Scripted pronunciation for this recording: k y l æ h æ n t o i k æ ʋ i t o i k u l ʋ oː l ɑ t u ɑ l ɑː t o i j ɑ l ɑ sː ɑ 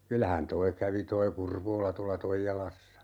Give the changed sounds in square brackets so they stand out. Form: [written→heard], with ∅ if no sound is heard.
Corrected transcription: k y l æ h æ n t o i k æ ʋ i t o i k u [l→r] ʋ oː l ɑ t u ɑ l [ɑː→ɑ] t o i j ɑ l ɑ sː ɑ